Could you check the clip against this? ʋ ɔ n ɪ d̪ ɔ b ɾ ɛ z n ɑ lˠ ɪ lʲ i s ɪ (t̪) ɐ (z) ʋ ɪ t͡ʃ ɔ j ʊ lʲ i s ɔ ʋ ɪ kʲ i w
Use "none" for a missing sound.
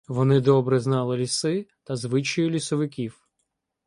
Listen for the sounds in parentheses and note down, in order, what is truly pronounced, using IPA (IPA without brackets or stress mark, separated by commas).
t̪, z